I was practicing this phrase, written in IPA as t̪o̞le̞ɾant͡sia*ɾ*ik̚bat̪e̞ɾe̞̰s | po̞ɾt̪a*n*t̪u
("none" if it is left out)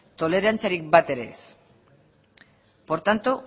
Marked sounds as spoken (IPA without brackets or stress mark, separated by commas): ɾ, n